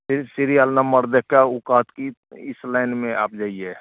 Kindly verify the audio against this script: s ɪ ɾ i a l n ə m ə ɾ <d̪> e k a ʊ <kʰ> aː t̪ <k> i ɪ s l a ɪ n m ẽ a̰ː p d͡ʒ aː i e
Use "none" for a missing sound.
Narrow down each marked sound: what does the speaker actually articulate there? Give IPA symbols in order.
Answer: d̪, k, k

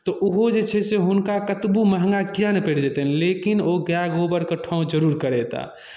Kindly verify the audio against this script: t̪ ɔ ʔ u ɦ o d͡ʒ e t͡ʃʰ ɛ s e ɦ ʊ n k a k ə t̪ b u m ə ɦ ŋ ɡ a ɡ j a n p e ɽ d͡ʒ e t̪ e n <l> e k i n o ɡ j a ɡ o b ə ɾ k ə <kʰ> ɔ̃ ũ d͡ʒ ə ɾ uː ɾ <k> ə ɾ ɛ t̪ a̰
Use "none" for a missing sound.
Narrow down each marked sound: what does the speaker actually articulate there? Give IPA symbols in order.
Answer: l, ʈʰ, k

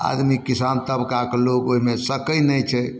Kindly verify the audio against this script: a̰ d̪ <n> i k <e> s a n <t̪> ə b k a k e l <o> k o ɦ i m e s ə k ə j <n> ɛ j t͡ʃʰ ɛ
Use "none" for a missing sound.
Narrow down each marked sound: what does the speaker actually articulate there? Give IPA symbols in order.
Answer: m, i, t̪, o, n

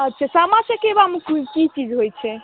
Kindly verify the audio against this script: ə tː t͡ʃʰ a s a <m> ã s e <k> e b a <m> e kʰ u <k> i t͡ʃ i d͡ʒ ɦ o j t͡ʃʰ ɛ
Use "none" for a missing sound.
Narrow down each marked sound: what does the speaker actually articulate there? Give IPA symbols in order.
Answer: m, k, m, k

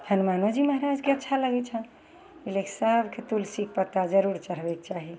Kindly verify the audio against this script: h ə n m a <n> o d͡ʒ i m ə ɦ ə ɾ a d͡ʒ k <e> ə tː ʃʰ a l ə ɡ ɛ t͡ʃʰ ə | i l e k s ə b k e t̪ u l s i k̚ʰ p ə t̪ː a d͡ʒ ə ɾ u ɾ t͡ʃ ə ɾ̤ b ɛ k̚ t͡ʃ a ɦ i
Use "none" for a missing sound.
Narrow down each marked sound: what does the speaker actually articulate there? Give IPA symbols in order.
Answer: n, e

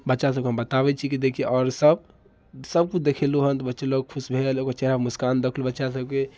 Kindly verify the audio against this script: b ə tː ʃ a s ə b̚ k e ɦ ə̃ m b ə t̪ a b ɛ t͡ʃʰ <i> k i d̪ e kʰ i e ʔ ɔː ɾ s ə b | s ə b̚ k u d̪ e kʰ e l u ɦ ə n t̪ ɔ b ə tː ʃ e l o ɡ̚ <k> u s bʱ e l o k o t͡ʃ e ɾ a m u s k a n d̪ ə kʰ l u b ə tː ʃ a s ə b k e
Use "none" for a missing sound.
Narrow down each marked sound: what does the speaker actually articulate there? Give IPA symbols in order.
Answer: i, kʰ

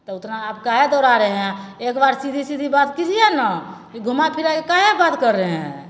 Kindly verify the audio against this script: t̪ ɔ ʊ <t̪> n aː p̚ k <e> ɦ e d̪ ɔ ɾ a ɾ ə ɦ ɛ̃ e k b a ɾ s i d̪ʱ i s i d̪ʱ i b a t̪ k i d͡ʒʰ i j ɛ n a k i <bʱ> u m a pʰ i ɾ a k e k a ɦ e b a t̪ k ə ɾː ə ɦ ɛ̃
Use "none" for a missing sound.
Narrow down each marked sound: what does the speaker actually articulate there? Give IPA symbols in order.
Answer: t̪, a, ɡʱ

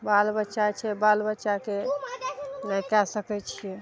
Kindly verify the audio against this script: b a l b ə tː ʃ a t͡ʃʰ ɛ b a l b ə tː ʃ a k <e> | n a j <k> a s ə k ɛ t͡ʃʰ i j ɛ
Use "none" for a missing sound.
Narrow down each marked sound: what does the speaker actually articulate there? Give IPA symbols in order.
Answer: e, k

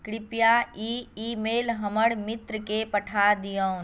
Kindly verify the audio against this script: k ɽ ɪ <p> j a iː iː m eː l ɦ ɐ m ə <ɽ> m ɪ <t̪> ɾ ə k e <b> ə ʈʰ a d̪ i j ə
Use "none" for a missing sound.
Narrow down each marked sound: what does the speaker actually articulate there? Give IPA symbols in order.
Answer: p, ɽ, t̪, p

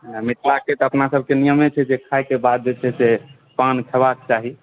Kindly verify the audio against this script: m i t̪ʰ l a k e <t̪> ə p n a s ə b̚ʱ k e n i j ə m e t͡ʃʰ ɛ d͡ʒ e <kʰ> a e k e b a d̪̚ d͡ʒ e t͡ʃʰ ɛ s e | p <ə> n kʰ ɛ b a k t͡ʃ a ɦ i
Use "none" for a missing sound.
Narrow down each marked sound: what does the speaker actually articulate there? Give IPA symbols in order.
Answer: t̪, kʰ, a

